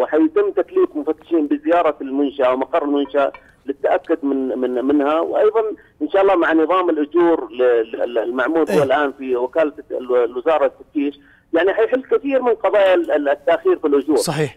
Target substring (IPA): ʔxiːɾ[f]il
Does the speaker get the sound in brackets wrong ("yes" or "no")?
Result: no